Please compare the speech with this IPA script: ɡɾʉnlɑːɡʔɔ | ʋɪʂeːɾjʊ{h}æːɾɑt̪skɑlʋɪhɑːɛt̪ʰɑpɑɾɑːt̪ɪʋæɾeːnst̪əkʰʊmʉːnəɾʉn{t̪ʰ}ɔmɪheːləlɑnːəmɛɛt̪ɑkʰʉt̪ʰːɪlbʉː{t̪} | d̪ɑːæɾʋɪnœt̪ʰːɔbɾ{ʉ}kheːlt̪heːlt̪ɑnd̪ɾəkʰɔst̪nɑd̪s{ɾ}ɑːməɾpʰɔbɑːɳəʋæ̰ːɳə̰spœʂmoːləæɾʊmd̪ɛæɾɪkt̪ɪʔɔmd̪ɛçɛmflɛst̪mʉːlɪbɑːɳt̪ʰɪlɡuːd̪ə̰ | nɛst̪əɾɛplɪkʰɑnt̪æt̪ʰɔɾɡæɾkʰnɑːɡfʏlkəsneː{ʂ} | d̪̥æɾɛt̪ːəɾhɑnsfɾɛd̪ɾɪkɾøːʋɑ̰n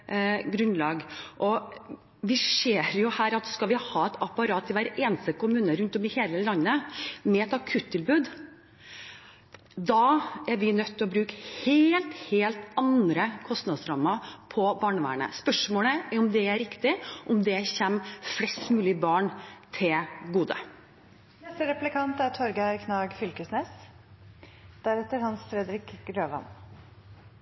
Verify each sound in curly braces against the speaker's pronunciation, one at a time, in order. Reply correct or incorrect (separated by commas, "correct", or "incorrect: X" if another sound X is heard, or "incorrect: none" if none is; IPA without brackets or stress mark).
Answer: correct, incorrect: t̪, incorrect: d̪, incorrect: ʉː, correct, incorrect: s